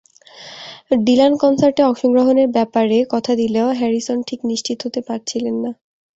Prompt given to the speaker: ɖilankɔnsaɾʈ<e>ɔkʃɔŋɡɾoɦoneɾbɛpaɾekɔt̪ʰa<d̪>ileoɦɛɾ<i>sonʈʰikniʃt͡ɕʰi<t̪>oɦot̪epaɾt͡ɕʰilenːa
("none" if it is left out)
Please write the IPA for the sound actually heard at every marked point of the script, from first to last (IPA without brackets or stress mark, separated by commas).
e, d̪, i, t̪